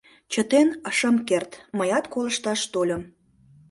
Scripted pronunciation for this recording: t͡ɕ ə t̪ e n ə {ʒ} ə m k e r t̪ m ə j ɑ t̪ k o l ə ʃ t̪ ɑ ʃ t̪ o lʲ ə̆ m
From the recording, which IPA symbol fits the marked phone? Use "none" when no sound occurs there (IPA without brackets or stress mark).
ʃ